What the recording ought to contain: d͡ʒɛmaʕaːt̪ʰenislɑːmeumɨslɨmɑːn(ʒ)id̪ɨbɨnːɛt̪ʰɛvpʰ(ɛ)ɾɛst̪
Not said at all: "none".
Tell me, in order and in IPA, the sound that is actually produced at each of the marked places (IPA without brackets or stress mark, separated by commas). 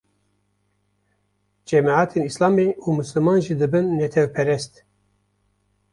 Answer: ʒ, ɛ